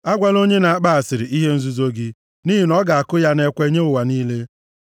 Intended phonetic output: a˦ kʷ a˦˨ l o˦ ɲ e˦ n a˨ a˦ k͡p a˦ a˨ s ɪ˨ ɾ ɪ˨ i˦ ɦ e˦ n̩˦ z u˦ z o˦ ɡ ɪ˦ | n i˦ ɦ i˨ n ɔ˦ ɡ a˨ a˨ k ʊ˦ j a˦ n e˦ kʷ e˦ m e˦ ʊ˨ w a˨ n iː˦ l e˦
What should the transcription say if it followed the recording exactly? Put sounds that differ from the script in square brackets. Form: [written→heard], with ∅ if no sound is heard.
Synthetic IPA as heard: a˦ [kʷ→ɡʷ] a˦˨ l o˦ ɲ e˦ n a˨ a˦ k͡p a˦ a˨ s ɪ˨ ɾ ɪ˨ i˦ ɦ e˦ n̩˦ z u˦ z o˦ ɡ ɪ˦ | n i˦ ɦ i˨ n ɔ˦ ɡ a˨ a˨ k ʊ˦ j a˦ n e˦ kʷ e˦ [m→ɲ] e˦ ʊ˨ w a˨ n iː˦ l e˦